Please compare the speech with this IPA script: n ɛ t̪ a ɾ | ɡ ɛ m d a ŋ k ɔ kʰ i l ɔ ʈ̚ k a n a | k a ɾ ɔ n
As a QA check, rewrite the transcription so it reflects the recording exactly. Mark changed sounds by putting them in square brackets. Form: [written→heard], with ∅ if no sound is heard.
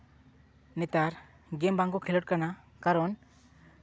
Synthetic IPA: n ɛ t̪ a ɾ | ɡ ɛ m [d→b] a ŋ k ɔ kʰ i l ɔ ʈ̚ k a n a | k a ɾ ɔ n